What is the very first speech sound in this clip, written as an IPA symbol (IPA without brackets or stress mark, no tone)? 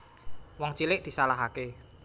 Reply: w